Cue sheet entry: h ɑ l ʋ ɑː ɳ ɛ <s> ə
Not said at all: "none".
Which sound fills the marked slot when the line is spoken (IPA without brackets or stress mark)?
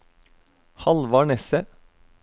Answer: s